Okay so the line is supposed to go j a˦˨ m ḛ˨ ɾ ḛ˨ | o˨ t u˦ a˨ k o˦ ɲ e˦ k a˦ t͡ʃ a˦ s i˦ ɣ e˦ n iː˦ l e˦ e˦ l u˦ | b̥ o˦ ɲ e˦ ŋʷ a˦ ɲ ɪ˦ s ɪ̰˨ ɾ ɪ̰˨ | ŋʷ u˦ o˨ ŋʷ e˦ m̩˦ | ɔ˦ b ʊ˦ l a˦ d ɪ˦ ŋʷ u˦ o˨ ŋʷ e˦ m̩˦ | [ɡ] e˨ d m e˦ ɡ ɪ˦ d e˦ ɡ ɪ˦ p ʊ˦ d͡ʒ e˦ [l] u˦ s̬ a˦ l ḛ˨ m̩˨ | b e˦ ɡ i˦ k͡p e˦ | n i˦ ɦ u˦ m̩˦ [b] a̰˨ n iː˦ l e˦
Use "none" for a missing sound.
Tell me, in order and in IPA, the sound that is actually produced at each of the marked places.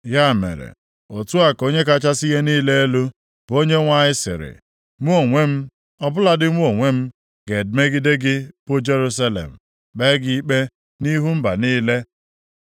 ɡ, ɾ, b

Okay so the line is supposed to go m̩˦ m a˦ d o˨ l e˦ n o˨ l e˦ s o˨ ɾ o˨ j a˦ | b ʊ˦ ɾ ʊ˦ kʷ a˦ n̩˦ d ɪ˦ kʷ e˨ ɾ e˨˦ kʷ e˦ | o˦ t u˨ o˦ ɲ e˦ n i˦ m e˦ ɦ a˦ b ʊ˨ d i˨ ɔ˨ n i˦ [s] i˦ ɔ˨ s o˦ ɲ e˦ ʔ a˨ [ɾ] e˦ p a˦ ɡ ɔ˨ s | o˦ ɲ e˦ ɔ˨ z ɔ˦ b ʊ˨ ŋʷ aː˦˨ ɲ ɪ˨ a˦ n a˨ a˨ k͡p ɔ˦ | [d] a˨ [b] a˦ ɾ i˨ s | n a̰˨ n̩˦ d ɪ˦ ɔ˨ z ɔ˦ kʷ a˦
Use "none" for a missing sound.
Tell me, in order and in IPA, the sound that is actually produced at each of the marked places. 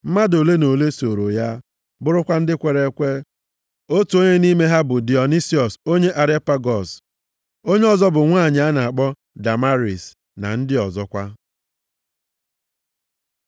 s, ɾ, d, m

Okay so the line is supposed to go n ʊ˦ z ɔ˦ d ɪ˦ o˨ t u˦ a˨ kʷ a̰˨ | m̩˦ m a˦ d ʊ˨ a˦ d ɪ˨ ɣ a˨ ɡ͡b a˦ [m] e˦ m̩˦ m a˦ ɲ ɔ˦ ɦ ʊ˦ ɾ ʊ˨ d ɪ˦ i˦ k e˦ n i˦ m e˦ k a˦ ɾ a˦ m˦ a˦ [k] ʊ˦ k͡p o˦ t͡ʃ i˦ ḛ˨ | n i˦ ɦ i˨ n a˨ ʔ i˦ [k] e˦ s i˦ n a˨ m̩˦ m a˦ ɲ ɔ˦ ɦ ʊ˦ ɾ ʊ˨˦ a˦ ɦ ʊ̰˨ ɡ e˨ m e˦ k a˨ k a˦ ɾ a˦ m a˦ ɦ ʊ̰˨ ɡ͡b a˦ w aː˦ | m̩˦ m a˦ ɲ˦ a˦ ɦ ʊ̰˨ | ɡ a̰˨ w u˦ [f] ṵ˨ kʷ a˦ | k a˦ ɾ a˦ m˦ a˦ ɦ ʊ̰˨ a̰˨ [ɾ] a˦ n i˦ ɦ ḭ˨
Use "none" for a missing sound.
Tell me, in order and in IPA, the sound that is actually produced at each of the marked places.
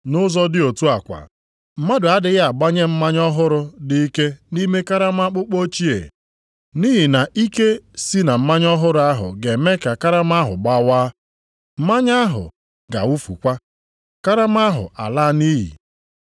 ɲ, k͡p, k, f, l

